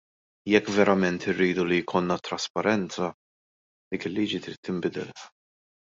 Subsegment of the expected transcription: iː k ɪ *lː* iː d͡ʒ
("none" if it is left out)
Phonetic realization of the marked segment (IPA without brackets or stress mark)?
lː